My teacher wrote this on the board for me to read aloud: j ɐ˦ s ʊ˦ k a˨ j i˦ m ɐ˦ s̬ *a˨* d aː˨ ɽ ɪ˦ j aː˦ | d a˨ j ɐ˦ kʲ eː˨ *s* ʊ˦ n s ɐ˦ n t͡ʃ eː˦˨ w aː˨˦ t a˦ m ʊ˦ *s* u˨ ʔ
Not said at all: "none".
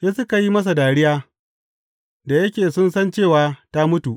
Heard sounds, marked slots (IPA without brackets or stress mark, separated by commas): a˨, s, t